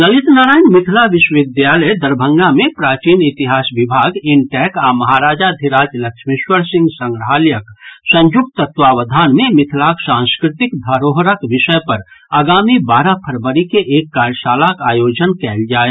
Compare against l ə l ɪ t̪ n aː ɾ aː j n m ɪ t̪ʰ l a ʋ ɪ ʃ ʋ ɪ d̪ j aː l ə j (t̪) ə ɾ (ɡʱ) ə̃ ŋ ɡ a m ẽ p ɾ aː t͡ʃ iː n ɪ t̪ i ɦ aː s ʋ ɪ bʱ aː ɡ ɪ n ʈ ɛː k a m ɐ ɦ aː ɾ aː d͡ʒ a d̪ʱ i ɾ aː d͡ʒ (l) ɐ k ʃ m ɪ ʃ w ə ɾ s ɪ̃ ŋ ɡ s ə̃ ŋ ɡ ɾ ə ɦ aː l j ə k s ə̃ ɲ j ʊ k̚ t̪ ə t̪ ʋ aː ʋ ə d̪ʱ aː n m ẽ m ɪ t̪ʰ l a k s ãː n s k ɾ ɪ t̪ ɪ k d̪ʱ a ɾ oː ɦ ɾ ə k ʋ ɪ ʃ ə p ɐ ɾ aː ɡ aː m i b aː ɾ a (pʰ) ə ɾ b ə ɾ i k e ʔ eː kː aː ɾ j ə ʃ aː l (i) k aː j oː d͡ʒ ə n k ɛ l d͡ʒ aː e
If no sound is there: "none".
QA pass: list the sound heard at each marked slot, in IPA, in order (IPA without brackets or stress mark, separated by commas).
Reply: d̪, bʱ, l, pʰ, a